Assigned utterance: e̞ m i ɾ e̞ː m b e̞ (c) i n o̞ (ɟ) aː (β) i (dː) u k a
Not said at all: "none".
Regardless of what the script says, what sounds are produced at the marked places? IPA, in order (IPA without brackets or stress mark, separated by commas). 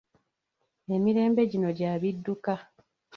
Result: ɟ, ɟ, β, dː